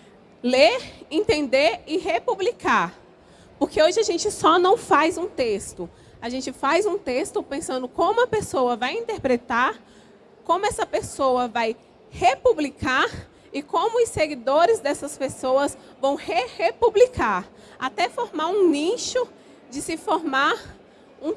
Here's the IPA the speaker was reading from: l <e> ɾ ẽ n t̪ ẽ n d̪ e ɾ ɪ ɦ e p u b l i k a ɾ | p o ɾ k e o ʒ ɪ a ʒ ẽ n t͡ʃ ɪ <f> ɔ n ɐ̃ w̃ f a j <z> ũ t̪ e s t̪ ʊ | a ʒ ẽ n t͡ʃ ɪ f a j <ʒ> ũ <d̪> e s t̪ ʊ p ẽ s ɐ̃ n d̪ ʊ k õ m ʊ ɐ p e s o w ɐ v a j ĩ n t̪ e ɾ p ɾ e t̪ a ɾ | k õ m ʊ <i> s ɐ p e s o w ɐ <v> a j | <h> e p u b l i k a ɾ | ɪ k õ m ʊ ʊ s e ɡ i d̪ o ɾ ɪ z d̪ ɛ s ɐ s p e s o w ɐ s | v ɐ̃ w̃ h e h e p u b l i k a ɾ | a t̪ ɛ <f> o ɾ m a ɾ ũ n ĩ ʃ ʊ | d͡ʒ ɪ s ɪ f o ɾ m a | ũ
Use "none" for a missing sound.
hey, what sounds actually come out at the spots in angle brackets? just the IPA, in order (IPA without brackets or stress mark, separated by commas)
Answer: e, s, z, z, t̪, ɛ, v, h, f